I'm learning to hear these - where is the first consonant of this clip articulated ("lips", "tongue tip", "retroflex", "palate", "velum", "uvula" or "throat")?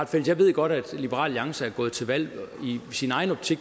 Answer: lips